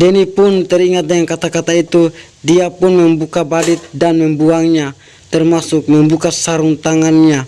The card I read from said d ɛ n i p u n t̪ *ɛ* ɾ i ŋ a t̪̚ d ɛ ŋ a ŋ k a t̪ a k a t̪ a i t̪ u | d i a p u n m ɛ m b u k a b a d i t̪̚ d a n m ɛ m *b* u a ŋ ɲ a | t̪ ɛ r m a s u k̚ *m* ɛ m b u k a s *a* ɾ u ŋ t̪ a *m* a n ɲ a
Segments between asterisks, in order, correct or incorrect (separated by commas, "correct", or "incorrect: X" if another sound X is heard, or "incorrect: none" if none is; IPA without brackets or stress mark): correct, correct, correct, correct, incorrect: ŋ